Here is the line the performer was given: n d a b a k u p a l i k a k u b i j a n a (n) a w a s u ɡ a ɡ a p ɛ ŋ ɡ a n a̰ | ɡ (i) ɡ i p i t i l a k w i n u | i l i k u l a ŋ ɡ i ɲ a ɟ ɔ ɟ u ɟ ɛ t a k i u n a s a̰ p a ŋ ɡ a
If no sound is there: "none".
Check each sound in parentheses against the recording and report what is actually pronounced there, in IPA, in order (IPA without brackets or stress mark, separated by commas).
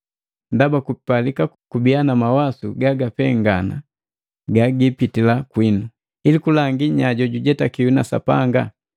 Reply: m, a